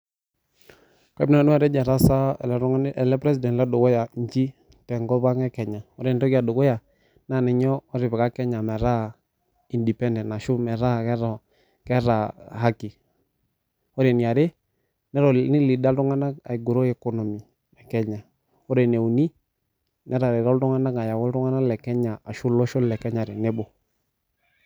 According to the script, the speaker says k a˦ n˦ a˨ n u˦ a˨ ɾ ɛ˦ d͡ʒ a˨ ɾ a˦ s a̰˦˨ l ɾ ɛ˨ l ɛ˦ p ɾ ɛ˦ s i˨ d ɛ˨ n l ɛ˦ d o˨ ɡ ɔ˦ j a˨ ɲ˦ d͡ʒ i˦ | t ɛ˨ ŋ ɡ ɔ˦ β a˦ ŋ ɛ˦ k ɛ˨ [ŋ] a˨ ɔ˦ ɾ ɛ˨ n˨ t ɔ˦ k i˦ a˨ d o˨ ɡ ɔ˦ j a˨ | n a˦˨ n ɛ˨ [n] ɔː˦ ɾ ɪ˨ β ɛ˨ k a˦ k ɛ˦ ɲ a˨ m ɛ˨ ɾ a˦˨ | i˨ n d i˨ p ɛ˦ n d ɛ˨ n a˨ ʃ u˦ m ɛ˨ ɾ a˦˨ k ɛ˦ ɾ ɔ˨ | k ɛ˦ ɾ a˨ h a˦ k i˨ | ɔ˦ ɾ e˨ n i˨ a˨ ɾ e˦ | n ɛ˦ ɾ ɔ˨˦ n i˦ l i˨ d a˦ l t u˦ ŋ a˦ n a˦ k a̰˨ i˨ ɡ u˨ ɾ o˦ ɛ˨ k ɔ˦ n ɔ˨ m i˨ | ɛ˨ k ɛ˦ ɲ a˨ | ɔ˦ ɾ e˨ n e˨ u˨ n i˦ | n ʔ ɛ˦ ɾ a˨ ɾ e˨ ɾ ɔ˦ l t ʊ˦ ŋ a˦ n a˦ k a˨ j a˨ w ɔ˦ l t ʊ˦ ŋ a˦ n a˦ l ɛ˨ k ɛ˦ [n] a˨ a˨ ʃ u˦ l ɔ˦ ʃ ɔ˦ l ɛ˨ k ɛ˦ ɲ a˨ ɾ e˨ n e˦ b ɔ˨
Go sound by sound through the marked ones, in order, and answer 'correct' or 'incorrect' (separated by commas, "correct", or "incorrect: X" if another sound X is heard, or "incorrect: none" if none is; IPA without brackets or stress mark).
incorrect: ɲ, incorrect: ɲ, incorrect: ɲ